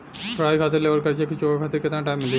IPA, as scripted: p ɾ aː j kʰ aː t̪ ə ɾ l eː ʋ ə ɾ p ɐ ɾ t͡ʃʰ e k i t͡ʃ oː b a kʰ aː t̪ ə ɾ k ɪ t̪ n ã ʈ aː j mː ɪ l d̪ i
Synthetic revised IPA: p ɾ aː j kʰ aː t̪ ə ɾ l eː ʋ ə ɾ k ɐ ɾ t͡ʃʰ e k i t͡ʃ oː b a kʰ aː t̪ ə ɾ k ɪ t̪ n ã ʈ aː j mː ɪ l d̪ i